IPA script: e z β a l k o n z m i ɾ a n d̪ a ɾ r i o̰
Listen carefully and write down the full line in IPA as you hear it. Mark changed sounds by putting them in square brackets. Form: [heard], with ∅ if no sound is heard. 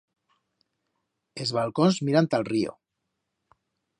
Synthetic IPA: e z β a l k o n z m i ɾ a n [t̪] a [l] r i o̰

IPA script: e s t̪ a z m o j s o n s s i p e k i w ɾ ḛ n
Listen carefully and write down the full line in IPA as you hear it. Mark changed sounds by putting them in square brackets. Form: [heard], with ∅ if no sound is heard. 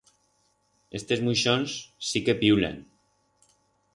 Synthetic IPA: e s t̪ [e] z m [u] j [ʃ] o n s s i [k] e [p] i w [l] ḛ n

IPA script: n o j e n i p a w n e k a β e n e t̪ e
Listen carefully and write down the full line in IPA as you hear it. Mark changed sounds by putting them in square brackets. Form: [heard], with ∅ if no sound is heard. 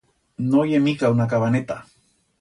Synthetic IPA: n o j e [m] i [k] a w n [a] k a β [a] n e t̪ [a]

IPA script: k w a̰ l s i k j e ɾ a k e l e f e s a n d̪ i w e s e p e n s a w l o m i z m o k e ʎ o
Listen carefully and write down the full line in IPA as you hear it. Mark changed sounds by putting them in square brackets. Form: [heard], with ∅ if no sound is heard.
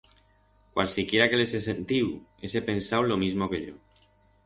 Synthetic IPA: k w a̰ l s i k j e ɾ a k e l e [s] e s [e] n [t̪] i w e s e p e n s a w l o m i z m o k e ʎ o

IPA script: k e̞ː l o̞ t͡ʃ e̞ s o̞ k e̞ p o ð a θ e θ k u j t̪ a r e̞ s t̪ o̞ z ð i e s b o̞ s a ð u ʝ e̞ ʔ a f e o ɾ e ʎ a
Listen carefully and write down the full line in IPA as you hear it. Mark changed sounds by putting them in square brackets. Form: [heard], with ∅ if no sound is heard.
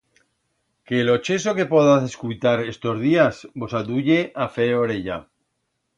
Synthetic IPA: k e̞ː l o̞ t͡ʃ e̞ s o̞ k e̞ p o ð a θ e [s] k u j t̪ a [ɾ] e̞ s t̪ o̞ z ð i [a] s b o̞ s a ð u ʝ e̞ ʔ a f e o ɾ e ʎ a

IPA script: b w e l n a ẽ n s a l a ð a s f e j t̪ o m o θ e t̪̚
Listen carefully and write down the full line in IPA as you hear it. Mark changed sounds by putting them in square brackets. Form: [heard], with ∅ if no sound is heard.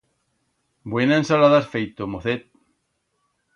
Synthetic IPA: b w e [∅] n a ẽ n s a l a ð a s f e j t̪ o m o θ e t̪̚

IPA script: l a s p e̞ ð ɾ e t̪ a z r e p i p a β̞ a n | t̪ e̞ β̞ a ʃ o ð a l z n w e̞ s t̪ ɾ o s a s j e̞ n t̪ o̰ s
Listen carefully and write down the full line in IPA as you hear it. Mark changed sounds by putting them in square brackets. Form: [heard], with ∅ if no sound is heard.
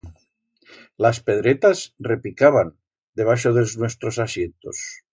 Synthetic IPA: l a s p e̞ ð ɾ e t̪ a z r e p i [k] a β̞ a n | [d̪] e̞ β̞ a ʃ o ð [e] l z n w e̞ s t̪ ɾ o s a s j e̞ n t̪ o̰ s

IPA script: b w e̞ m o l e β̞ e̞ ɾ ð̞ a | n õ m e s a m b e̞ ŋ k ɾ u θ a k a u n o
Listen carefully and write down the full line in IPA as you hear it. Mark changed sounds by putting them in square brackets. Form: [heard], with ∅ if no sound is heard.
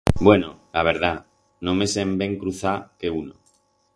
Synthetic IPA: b w e̞ [n] o l [a] β̞ e̞ ɾ ð̞ a | n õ m e s [e] m b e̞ ŋ k ɾ u θ a k [e] u n o

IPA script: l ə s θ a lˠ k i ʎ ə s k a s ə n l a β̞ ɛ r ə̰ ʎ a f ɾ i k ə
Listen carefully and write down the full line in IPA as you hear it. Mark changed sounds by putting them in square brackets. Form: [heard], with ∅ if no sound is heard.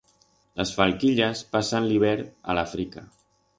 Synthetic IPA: l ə s [f] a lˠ k i ʎ ə s [p] a s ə n l [i] β̞ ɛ [ɾ] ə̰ [l] a f ɾ i k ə

